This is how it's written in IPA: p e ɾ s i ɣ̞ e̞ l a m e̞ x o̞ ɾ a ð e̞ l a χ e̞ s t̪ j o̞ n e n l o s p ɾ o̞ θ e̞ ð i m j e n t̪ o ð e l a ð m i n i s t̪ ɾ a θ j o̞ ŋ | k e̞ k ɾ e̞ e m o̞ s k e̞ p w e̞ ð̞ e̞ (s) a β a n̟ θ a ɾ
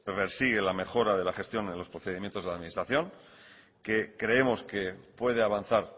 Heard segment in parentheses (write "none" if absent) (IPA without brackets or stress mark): none